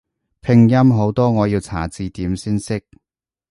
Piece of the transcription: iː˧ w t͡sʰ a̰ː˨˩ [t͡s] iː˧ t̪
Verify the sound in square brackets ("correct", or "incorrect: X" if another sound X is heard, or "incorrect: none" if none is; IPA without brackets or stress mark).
correct